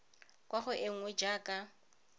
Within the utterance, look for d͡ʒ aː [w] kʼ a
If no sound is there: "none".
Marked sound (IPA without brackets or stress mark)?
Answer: none